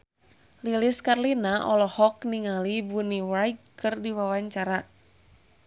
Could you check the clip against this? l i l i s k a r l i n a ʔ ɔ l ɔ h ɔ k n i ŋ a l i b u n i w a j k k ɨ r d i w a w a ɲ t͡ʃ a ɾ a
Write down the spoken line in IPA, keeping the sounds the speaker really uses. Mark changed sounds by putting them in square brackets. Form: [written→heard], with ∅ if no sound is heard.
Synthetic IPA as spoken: l i l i s k a r l i n a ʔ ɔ l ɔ h ɔ k n i ŋ a l i b u n i w a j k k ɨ r d i w a w a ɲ t͡ʃ a ɾ a